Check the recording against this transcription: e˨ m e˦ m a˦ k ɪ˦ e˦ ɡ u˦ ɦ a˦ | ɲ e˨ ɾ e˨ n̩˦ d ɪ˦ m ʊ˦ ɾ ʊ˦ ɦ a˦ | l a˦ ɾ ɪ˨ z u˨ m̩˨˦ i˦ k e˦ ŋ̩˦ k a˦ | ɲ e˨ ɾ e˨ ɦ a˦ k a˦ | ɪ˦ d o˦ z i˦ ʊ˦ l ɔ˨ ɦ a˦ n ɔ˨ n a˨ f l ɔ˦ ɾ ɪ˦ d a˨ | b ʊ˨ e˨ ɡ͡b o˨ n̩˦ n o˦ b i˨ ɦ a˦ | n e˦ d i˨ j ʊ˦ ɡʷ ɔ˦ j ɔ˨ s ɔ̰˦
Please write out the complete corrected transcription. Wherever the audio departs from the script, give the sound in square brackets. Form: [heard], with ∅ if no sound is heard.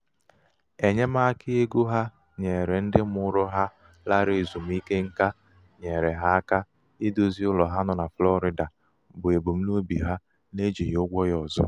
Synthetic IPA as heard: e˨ [ɲ] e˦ m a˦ k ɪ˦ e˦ ɡ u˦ ɦ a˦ | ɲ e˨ ɾ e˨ n̩˦ d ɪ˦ m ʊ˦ ɾ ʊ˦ ɦ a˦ | l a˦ ɾ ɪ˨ z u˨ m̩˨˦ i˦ k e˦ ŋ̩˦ k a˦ | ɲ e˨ ɾ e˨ ɦ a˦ k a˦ | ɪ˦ d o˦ z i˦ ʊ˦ l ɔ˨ ɦ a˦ n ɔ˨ n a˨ f l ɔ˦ ɾ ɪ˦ d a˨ | b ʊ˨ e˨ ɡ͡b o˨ [m̩˦] n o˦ b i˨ ɦ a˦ | n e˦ [d͡ʒ] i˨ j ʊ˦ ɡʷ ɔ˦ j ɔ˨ [z] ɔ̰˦